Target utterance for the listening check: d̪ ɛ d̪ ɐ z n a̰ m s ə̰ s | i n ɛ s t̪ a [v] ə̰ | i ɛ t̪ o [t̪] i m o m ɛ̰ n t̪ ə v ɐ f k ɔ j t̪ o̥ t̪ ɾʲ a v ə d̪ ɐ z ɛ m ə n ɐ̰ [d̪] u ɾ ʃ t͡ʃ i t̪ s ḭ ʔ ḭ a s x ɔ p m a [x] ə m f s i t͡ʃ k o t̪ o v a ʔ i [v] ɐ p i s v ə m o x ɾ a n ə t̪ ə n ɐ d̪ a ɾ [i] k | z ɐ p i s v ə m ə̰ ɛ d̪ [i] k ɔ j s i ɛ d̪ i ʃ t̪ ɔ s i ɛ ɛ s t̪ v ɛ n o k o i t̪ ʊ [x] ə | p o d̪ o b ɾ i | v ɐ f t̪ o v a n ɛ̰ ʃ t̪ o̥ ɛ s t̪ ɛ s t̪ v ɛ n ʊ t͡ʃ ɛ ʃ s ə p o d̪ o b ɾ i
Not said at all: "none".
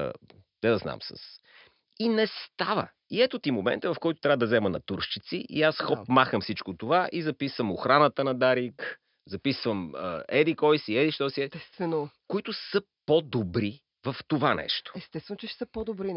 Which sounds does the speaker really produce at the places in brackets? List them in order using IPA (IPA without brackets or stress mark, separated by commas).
v, t̪, t̪, x, z, i, i, s